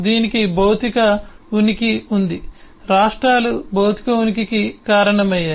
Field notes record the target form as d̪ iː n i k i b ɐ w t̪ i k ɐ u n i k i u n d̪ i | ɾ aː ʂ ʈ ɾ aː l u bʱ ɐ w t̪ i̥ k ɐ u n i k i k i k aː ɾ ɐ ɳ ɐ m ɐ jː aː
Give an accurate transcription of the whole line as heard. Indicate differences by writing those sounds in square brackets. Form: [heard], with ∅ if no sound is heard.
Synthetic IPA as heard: d̪ iː n i k i b ɐ w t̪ i k ɐ u n i k i u n d̪ i | ɾ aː ʂ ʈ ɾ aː l u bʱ ɐ w t̪ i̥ k ɐ u n i k i k i k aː ɾ ɐ ɳ ɐ m ɐ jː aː